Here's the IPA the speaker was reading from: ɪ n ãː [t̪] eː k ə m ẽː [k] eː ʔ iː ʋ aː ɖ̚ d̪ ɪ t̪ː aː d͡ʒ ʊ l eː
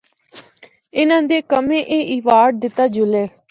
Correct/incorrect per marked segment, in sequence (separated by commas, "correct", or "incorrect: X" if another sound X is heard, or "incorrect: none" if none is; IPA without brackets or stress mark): incorrect: d̪, incorrect: ʔ